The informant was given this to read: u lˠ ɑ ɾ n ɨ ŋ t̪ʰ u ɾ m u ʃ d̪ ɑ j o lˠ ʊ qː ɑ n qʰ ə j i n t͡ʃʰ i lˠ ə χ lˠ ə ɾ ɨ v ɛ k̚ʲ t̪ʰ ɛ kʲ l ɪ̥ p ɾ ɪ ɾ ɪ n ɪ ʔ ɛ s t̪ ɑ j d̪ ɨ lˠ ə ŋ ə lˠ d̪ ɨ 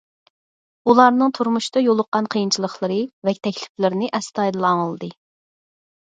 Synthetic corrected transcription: u lˠ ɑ ɾ n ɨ ŋ t̪ʰ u ɾ m u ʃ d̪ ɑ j o lˠ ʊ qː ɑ n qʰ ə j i n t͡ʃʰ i lˠ ə χ lˠ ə ɾ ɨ v ɛ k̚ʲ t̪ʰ ɛ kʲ l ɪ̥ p l ɪ ɾ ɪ n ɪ ʔ ɛ s t̪ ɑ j d̪ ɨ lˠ ɑ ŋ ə lˠ d̪ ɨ

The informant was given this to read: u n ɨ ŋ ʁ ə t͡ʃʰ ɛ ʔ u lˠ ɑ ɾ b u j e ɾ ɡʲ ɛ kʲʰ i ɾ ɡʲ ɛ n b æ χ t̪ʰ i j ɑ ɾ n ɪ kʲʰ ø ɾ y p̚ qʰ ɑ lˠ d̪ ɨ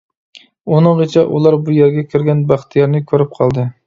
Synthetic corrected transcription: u n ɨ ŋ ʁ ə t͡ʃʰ ɛ ʔ u lˠ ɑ ɾ b u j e ɾ ɡʲ ɛ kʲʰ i ɾ ɡʲ ɛ n b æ χ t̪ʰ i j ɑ ɾ n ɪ kʲʰ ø ɾ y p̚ qʰ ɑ lˠ d̪ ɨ

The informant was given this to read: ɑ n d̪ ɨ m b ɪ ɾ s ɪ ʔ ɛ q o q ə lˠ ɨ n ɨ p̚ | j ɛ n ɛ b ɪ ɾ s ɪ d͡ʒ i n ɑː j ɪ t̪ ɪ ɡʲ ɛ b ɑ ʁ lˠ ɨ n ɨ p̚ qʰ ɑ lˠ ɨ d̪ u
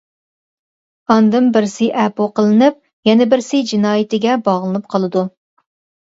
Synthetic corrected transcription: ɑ n d̪ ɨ m b ɪ ɾ s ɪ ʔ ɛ p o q ə lˠ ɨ n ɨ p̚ | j ɛ n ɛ b ɪ ɾ s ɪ d͡ʒ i n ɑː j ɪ t̪ ɪ ɡʲ ɛ b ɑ ʁ lˠ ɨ n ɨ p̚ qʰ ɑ lˠ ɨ d̪ u

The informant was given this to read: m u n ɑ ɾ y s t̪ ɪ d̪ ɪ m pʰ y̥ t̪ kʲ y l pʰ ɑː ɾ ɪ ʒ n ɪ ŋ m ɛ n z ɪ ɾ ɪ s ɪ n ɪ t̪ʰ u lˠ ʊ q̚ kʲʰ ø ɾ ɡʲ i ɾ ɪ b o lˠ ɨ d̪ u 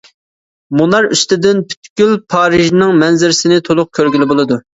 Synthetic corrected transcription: m u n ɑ ɾ y s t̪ ɪ d̪ ɪ n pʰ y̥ t̪ kʲ y l pʰ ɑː ɾ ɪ ʒ n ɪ ŋ m ɛ n z ɪ ɾ ɪ s ɪ n ɪ t̪ʰ o lˠ ʊ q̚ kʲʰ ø ɾ ɡʲ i l ɪ b o lˠ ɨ d̪ u

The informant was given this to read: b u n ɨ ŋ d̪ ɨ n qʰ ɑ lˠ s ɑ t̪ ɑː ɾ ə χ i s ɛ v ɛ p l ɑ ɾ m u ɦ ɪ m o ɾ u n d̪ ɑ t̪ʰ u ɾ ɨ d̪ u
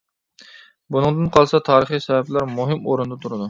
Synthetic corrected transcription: b u n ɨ ŋ d̪ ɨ n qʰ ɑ lˠ s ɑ t̪ʰ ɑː ɾ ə χ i s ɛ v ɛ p l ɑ ɾ m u ɦ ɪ m o ɾ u n d̪ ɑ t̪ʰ u ɾ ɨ d̪ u

